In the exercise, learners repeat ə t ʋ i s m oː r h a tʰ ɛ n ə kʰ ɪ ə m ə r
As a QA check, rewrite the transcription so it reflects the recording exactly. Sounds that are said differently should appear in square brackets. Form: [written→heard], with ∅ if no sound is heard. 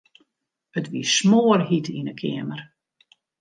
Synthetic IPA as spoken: ə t ʋ i s m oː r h [a→i] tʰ [ɛ→i] n ə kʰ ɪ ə m ə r